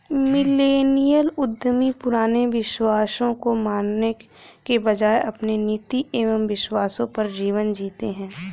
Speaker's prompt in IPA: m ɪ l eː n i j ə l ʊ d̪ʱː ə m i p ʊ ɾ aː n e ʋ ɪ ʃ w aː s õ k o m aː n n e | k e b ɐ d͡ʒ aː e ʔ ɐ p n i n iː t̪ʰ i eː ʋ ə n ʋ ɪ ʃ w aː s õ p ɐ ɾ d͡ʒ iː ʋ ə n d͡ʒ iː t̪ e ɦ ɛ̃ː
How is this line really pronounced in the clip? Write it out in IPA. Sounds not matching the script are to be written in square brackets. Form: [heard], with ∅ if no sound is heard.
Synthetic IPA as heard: m ɪ l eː n i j ə l ʊ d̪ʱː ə m i p ʊ ɾ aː n e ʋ ɪ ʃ w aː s õ k o m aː n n e | k e b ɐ d͡ʒ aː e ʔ ɐ p n [e] n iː [t̪] i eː ʋ ə [m] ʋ ɪ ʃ w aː s õ p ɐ ɾ d͡ʒ iː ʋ ə n d͡ʒ iː t̪ e ɦ ɛ̃ː